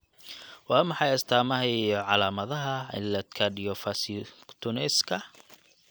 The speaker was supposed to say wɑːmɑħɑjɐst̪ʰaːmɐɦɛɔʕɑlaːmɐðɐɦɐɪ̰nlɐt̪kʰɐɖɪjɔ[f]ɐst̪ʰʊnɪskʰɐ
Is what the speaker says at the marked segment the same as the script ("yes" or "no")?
yes